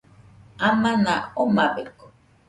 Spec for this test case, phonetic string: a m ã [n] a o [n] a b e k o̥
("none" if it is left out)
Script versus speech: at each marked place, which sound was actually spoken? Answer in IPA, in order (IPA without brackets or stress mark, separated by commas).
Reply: n, m